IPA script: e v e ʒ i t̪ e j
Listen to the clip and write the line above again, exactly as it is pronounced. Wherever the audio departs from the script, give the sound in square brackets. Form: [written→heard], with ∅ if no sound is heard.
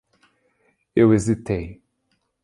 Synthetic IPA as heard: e [v→w] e [ʒ→z] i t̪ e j

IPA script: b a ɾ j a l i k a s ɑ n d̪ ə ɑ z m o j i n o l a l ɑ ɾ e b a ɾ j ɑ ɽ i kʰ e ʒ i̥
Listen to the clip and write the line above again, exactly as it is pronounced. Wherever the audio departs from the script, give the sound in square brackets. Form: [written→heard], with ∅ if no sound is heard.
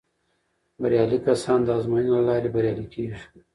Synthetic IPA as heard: b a ɾ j [a→ɑ] l i k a s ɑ n d̪ ə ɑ z m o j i n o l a l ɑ ɾ e b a ɾ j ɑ [ɽ→l] i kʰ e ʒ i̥

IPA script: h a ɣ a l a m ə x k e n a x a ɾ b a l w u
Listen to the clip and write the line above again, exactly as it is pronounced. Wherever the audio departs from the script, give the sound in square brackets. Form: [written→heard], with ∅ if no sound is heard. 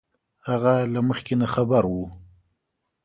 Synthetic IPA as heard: h a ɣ a l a m ə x k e n a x a [ɾ→∅] b a [l→ɾ] w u

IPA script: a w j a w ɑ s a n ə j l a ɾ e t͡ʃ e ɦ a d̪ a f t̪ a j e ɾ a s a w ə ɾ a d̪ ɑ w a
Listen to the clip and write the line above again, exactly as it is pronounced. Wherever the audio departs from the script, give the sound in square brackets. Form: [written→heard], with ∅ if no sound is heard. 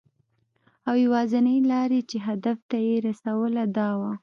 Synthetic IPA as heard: a w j a w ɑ [s→z] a n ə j l [a→ɑ] ɾ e t͡ʃ e ɦ a d̪ a f t̪ a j e ɾ a s a w ə [ɾ→l] a d̪ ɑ w a

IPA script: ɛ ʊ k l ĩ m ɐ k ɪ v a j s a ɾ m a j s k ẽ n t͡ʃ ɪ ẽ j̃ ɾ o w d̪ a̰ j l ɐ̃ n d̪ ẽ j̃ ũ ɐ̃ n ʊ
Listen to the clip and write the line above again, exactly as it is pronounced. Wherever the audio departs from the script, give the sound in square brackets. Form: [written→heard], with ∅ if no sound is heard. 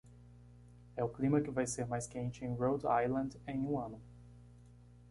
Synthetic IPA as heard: ɛ ʊ k l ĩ m ɐ k ɪ v a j s [a→e] ɾ m a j s k ẽ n t͡ʃ ɪ ẽ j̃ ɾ o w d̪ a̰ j l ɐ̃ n d̪ ẽ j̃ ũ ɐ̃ n ʊ

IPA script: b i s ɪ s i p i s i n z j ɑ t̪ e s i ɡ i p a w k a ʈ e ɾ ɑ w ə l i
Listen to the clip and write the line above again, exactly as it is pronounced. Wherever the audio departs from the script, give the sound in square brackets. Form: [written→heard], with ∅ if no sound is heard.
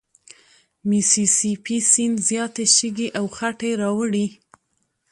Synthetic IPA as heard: [b→m] i s [ɪ→i] s i p i s i n z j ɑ t̪ e [s→ʃ] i ɡ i [p→ʔ] a w [k→x] a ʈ e ɾ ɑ w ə [l→ɽ] i

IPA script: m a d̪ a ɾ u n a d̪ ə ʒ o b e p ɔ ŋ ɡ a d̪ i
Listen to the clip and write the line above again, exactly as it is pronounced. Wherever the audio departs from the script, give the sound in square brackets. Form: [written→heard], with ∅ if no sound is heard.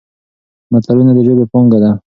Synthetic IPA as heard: m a [d̪→t̪] a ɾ u n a d̪ ə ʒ o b e p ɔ ŋ ɡ a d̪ [i→a]

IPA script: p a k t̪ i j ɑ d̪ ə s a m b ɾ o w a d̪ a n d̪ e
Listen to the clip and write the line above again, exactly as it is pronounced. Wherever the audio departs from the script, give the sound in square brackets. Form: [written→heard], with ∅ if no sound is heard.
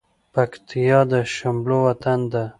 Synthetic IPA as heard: p a k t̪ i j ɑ d̪ ə [s→ʃ] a m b [ɾ→l] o w a [d̪→t̪] a n d̪ [e→a]

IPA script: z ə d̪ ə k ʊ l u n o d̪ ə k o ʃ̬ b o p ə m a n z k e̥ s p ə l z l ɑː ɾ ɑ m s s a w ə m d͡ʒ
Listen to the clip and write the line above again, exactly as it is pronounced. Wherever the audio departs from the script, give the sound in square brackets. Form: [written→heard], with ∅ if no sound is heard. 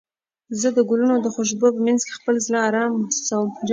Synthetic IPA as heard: z ə d̪ ə [k→ɡ] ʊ l u n o d̪ ə [k→x] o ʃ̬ b o p ə m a n z k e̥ [s→x] p ə l z l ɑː ɾ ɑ m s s a w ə m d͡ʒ

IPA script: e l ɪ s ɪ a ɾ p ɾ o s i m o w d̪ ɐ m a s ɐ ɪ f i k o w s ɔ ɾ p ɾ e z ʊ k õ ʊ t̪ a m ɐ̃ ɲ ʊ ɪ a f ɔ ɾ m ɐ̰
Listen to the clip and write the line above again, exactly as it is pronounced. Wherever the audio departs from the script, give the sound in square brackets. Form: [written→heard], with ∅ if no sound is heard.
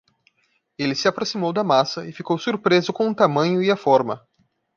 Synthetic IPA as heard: e l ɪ s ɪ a [ɾ→∅] p ɾ o s i m o w d̪ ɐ m a s ɐ ɪ f i k o w s [ɔ→u] ɾ p ɾ e z ʊ k õ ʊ t̪ a m ɐ̃ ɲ ʊ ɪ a f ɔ ɾ m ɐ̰

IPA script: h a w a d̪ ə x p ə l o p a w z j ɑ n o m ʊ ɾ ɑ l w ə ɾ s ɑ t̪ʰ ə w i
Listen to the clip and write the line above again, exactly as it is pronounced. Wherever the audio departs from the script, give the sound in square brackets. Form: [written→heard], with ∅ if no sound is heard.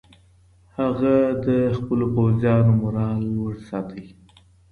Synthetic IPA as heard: h a [w→ɣ] a d̪ ə x p ə l o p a w z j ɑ n o m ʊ ɾ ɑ l w ə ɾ s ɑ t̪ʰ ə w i

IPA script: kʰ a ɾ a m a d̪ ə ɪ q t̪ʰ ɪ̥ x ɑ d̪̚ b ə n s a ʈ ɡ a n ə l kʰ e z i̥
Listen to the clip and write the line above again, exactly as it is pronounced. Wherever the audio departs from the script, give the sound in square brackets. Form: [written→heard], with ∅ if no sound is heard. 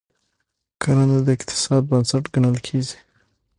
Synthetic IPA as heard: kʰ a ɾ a [m→n] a d̪ ə ɪ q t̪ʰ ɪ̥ [x→s] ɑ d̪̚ b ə n s a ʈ ɡ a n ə l kʰ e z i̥

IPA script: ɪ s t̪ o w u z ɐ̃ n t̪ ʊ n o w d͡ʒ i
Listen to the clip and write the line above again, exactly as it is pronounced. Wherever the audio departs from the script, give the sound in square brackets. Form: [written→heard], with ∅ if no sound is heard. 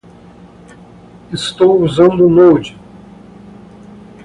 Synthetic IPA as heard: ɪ s t̪ o w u z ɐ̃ n [t̪→d̪] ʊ n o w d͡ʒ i

